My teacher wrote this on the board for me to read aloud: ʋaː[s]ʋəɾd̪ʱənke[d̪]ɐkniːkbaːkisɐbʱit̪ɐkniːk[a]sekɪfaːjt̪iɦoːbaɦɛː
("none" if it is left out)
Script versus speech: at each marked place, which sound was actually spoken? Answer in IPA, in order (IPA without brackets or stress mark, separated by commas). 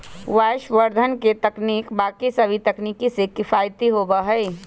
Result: ʃ, t̪, i